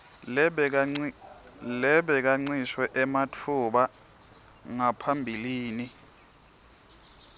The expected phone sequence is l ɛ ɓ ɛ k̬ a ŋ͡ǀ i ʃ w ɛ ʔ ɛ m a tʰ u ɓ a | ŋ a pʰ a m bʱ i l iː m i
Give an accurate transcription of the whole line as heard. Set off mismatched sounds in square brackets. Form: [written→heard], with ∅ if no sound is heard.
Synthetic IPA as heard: l ɛ ɓ ɛ k̬ a ŋ͡ǀ i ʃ w ɛ ʔ ɛ m a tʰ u ɓ a | ŋ a pʰ a m bʱ i l iː [m→n] i